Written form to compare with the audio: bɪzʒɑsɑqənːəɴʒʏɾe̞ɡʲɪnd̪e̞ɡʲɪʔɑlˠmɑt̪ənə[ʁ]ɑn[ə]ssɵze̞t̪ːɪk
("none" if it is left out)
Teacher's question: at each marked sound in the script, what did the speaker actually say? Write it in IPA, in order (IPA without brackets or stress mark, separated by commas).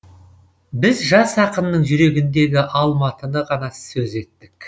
ʁ, ɑ